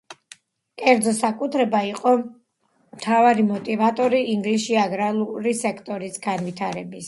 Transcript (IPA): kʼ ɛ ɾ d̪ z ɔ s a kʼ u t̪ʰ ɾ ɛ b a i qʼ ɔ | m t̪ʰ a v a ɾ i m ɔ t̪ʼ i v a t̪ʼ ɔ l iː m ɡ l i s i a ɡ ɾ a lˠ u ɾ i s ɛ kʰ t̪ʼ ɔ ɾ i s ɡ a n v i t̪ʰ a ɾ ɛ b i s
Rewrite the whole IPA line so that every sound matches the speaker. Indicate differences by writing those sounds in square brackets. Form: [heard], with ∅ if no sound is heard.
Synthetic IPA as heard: kʼ ɛ ɾ d̪ z ɔ s a kʼ u t̪ʰ ɾ ɛ b a i qʼ ɔ | m t̪ʰ a v a ɾ i m ɔ t̪ʼ i v a t̪ʼ ɔ [ɾ] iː [ŋ] ɡ l i s i a ɡ ɾ a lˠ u ɾ i s ɛ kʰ t̪ʼ ɔ ɾ i s ɡ a n v i t̪ʰ a ɾ ɛ b i s